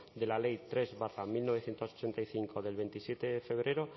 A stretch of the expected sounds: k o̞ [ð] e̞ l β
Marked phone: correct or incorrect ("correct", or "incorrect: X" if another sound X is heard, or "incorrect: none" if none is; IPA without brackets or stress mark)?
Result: correct